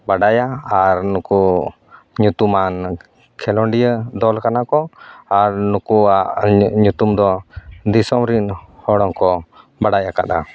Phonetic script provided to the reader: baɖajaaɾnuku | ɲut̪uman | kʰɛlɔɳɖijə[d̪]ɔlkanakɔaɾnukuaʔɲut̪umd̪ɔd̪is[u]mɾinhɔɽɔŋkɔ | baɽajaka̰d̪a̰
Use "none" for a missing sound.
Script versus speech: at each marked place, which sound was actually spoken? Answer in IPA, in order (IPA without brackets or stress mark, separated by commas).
d̪, ɔ